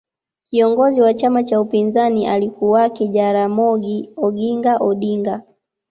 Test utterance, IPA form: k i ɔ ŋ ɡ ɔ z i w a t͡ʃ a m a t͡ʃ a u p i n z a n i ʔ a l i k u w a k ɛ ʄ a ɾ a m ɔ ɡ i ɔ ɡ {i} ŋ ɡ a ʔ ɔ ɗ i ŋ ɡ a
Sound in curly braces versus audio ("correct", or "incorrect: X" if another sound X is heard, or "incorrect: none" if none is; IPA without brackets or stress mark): correct